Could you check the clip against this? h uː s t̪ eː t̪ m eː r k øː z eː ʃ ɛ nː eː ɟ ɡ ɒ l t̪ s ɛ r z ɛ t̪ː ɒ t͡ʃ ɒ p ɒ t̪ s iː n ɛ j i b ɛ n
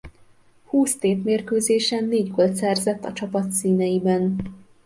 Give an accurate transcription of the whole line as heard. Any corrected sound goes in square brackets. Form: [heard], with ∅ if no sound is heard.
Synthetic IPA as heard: h uː s t̪ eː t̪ m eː r k øː z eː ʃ ɛ nː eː ɟ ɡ [o] l t̪ s ɛ r z ɛ t̪ː ɒ t͡ʃ ɒ p ɒ t̪ s iː n ɛ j i b ɛ n